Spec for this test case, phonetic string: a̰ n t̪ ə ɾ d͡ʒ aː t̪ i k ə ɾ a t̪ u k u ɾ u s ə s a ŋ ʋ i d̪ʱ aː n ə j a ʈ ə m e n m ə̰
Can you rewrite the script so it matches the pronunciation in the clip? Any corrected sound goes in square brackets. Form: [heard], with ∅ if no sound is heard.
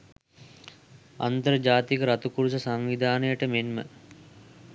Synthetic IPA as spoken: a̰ n t̪ ə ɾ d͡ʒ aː t̪ i k ə ɾ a t̪ u k u ɾ u s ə s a ŋ ʋ i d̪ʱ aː n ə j [ə] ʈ ə m e n m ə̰